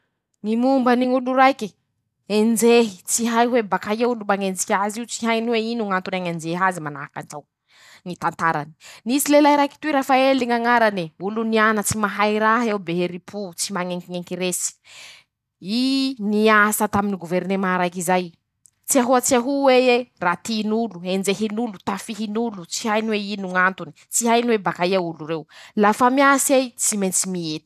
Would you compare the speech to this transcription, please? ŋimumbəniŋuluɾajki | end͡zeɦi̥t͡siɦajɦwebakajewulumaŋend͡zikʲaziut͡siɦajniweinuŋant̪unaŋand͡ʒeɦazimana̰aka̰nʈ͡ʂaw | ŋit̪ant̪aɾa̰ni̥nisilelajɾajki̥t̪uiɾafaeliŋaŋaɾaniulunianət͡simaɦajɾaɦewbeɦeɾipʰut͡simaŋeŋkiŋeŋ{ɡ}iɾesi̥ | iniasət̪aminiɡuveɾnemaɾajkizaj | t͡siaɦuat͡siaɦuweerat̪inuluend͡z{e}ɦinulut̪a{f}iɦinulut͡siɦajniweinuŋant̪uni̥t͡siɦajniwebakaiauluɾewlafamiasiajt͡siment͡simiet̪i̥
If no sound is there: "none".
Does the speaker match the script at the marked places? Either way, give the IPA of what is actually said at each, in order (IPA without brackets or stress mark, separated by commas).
k, e, f